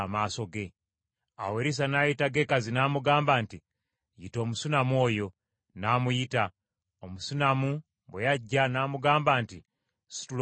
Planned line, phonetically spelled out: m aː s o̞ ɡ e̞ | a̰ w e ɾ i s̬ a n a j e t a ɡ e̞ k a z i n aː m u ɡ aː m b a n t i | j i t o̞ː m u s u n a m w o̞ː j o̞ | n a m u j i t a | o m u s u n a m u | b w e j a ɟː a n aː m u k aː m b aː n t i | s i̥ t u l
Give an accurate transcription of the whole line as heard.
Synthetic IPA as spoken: m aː s o̞ ɡ e̞ | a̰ w e ɾ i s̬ a n a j i t a ɡ e̞ k a z i n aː m u ɡ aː m b a n t i | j i t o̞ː m u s u n a m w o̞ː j o̞ | n a m u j i t a | o m u s u n a m u | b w e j a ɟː a n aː m u ɡ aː m b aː n t i | s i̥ t u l